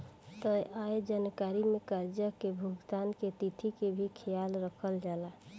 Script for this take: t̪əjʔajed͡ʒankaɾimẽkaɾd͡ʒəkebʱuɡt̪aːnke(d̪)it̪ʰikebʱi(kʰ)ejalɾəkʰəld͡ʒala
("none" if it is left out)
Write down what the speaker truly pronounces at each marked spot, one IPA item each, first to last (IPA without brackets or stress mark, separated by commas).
t̪, kʰ